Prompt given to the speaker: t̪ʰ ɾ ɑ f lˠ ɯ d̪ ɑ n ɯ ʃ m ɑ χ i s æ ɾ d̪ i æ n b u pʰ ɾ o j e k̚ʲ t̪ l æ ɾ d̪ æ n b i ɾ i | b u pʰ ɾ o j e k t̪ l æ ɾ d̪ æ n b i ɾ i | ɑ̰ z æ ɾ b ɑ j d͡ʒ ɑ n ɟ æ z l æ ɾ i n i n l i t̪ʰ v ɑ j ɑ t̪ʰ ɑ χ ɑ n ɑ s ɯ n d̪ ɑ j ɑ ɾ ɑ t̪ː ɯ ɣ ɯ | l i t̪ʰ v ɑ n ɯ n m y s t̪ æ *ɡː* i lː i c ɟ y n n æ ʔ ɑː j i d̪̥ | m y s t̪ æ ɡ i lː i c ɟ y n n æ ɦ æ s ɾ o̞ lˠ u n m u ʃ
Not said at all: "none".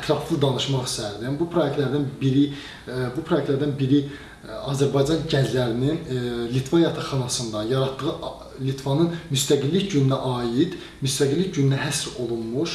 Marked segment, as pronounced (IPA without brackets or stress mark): ɡ